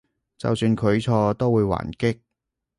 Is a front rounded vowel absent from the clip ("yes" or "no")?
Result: no